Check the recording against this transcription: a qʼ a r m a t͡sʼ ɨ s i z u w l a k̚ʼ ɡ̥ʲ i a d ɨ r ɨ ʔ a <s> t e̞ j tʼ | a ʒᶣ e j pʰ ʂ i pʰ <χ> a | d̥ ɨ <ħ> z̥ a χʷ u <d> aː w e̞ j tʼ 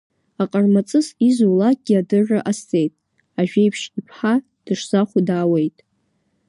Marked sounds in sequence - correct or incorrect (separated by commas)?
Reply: correct, incorrect, incorrect, correct